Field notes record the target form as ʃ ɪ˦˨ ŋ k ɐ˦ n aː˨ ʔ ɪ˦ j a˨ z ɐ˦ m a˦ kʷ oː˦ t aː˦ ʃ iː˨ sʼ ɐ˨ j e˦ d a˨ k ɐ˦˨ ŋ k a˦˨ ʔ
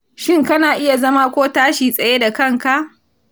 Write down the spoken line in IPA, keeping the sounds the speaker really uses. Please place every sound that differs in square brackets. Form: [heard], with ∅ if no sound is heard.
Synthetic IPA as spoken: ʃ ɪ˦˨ ŋ k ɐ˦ n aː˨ ʔ ɪ˦ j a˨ z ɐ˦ m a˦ kʷ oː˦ t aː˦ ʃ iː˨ sʼ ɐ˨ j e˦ d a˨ k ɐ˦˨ ŋ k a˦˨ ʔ